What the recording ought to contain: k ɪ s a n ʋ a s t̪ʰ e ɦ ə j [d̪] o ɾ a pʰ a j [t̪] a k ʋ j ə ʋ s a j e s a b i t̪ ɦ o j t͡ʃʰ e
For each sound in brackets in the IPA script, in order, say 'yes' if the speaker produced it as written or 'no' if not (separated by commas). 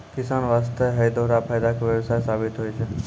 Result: yes, no